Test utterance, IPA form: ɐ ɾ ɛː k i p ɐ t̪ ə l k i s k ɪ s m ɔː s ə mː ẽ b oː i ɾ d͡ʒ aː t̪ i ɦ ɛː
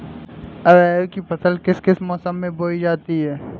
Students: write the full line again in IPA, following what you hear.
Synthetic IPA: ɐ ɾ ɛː k i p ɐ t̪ ə l k ɪ s k ɪ s m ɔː s ə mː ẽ b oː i d͡ʒ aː t̪ i ɦ ɛː

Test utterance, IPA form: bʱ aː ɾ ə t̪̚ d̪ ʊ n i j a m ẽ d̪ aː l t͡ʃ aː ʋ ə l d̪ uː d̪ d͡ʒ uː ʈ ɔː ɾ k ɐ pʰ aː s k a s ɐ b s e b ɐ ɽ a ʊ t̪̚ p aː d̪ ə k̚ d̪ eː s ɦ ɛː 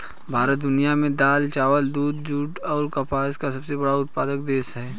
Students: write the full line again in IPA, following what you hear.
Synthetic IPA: bʱ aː ɾ ə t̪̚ d̪ ʊ n i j a m ẽ d̪ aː l t͡ʃ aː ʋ ə l d̪ uː d̪ d͡ʒ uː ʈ ɔː ɾ k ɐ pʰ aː s k a s ɐ b s e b ɐ ɽ a ʊ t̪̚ p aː d̪ ə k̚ d̪ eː s ɦ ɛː

